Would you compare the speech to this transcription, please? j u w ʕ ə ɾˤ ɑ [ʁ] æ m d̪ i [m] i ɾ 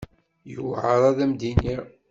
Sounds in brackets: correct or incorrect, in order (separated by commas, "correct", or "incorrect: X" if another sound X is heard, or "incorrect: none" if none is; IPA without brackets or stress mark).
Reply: incorrect: ð, incorrect: n